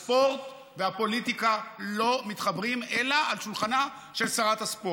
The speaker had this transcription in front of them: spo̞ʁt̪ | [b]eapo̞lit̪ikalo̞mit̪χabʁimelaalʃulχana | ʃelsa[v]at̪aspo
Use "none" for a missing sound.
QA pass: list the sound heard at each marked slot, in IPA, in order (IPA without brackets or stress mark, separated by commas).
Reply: v, ʁ